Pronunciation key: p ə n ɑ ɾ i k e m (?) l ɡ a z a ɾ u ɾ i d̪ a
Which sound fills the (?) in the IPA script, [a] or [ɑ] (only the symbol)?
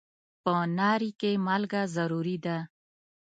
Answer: a